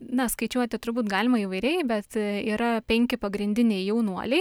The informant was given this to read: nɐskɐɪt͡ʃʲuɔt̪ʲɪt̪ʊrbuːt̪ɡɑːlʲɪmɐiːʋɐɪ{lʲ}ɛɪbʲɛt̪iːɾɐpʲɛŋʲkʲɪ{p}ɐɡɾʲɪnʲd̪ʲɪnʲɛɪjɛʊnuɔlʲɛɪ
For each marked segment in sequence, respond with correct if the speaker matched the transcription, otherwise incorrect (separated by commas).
incorrect, correct